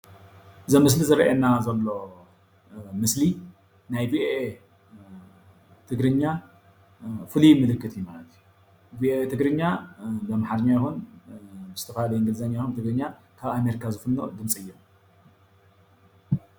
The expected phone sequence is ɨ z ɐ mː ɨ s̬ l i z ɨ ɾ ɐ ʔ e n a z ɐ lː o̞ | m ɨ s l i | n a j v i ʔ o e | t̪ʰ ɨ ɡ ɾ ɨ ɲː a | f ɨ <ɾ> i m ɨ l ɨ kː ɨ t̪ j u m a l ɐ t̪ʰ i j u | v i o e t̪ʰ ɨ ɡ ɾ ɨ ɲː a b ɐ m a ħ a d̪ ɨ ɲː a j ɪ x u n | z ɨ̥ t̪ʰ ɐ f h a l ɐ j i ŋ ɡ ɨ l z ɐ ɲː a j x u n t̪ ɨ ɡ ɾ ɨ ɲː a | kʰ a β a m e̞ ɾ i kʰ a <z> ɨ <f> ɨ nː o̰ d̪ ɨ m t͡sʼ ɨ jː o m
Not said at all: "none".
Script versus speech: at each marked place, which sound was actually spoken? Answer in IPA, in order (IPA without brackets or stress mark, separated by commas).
l, z, f